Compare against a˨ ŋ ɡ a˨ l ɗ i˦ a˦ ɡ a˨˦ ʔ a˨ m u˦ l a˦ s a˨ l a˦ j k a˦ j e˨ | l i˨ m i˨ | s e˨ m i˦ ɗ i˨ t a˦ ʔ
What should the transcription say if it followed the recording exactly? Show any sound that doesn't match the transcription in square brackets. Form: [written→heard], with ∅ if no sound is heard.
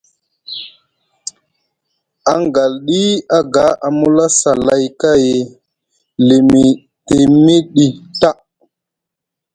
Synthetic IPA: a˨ ŋ ɡ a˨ l ɗ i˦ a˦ ɡ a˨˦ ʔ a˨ m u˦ l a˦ s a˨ l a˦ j k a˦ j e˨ | l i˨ m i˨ | [s→t] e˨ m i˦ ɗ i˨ t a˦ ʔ